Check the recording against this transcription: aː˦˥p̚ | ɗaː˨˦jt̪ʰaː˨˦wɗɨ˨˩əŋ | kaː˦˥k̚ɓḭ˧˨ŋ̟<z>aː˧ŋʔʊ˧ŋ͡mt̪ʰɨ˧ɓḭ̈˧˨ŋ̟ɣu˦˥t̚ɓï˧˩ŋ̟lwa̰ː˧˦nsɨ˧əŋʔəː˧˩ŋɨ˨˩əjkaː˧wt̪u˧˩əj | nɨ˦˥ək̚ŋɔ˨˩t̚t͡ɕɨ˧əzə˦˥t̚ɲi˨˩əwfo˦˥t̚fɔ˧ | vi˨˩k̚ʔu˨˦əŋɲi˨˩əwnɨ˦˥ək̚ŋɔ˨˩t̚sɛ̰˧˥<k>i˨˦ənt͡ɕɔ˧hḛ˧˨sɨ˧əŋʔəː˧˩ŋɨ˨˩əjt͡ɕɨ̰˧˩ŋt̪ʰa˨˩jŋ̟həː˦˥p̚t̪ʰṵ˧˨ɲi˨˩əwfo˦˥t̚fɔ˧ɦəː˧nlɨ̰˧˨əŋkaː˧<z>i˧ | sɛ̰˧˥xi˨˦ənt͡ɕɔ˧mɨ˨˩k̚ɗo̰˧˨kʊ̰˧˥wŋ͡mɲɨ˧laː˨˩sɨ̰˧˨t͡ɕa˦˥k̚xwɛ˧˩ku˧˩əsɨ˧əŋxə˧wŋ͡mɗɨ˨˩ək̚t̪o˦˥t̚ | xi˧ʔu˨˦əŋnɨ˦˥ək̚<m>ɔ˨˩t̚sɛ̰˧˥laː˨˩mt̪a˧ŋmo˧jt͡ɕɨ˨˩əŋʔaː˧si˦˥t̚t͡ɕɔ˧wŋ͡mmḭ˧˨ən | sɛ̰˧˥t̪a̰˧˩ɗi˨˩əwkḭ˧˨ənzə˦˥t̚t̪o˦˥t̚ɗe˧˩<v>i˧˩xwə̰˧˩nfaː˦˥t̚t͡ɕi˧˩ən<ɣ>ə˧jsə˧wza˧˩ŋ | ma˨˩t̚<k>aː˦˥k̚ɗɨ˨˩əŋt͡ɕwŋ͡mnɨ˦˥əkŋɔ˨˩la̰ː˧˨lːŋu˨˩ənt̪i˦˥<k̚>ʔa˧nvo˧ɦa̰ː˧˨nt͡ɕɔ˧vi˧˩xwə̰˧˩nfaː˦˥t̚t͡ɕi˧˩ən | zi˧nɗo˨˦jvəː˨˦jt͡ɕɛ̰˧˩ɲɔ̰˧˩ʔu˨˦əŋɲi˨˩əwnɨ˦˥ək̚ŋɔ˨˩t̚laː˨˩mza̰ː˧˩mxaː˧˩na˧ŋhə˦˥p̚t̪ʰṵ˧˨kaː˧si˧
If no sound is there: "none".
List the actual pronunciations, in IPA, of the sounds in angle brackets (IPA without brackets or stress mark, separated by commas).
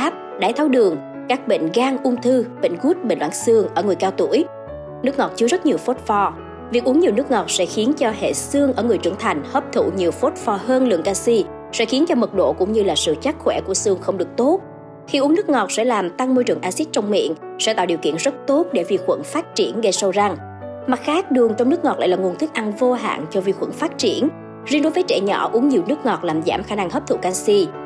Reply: ɣ, x, s, ŋ, v, ɣ, x, k̚